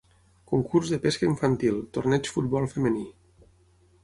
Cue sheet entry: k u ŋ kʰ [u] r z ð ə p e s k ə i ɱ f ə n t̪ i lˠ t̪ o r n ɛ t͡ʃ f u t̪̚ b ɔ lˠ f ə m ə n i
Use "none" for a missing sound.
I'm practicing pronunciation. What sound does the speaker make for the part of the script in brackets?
u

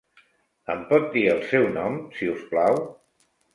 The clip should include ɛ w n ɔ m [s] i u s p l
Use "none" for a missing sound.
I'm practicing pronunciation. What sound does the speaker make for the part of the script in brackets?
s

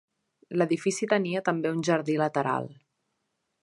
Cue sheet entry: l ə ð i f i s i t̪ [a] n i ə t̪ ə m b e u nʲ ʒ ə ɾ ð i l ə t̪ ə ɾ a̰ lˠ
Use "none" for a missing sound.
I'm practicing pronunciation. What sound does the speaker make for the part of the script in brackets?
ə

